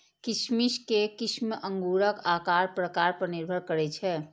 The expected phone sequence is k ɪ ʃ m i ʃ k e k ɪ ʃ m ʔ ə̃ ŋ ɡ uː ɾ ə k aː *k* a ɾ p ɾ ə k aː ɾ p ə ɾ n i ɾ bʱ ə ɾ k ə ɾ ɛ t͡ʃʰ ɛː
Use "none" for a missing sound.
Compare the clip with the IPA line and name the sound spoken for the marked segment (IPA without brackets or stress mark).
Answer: k